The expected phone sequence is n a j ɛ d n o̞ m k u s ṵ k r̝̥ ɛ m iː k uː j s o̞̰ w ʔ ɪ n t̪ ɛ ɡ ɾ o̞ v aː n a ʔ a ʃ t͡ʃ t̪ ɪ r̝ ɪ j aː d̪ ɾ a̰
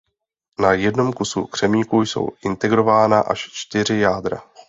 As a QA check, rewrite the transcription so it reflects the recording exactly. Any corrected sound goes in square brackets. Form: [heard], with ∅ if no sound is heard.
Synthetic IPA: n a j ɛ d n o̞ m k u s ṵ k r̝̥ ɛ m iː k [u] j s o̞̰ w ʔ ɪ n t̪ ɛ ɡ ɾ o̞ v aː n a ʔ a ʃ t͡ʃ t̪ ɪ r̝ ɪ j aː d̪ ɾ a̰

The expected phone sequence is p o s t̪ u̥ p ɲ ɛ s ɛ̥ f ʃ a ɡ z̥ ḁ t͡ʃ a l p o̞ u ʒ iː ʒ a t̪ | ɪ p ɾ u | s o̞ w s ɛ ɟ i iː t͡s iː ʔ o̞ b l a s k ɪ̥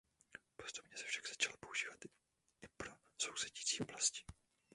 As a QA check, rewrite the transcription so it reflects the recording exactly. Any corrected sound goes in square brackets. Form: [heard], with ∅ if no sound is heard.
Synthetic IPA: p o s t̪ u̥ p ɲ ɛ s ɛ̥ f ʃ a ɡ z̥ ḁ t͡ʃ a l p o̞ u ʒ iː [v] a t̪ | ɪ p ɾ [o] | s o̞ w s ɛ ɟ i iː t͡s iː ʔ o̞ b l a s [c] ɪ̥

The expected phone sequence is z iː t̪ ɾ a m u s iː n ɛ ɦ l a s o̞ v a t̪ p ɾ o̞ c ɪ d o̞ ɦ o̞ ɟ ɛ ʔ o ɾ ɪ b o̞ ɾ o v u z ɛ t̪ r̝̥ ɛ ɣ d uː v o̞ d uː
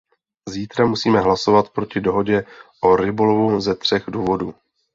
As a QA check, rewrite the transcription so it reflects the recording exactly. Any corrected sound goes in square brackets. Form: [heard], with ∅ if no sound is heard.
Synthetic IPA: z iː t̪ ɾ a m u s iː [m] ɛ ɦ l a s o̞ v a t̪ p ɾ o̞ c ɪ d o̞ ɦ o̞ ɟ ɛ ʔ o ɾ ɪ b o̞ [l] o v u z ɛ t̪ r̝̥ ɛ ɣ d uː v o̞ d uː

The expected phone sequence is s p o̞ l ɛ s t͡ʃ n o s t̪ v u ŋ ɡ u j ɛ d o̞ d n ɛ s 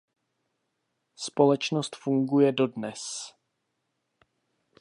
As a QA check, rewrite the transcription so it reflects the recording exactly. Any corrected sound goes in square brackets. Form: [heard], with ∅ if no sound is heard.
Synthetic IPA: s p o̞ l ɛ [∅] t͡ʃ n o s t̪ [f] u ŋ ɡ u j ɛ d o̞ d n ɛ s

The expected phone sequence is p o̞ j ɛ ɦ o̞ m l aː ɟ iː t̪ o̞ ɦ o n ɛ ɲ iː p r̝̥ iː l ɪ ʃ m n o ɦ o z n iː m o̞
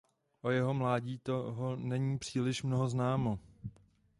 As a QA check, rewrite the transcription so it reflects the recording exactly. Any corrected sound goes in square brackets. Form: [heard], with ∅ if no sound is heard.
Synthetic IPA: [ʔ] o̞ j ɛ ɦ o̞ m l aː ɟ iː t̪ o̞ ɦ o n ɛ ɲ iː p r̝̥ iː l ɪ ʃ m n o ɦ o z n [aː] m o̞

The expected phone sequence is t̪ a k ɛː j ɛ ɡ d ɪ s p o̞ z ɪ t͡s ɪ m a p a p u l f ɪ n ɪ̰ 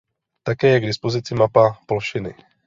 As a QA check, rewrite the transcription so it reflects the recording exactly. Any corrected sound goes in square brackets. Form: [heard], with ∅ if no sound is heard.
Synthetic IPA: t̪ a k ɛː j ɛ ɡ d ɪ s p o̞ z ɪ t͡s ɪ m a p a p [o] l [ʃ] ɪ n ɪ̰

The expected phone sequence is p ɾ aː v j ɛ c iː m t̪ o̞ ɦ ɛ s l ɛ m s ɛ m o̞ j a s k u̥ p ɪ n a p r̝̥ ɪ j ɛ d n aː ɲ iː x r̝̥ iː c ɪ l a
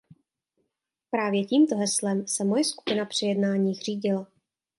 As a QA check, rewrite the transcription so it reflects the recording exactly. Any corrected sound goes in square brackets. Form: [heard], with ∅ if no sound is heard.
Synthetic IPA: p ɾ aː v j ɛ c iː m t̪ o̞ ɦ ɛ s l ɛ m s ɛ m o̞ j [ɛ] s k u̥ p ɪ n a p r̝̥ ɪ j ɛ d n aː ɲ iː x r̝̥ iː [ɟ] ɪ l a

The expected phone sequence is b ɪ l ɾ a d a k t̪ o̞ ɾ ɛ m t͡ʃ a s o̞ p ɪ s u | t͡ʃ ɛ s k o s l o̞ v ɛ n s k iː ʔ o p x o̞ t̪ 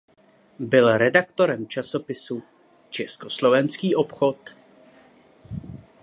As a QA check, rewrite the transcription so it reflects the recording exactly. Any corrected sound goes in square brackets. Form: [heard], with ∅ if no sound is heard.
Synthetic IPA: b ɪ l ɾ [ɛ] d a k t̪ o̞ ɾ ɛ m t͡ʃ a s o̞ p ɪ s u | t͡ʃ ɛ s k o s l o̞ v ɛ n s k iː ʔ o p x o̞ t̪

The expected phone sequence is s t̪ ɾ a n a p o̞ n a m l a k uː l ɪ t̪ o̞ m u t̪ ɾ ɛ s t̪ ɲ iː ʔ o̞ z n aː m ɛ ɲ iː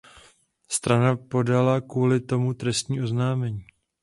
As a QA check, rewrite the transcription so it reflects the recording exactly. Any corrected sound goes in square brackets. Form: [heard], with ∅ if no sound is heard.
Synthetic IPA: s t̪ ɾ a n a p o̞ [d] a [∅] l a k uː l ɪ t̪ o̞ m u t̪ ɾ ɛ s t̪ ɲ iː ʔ o̞ z n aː m ɛ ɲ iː

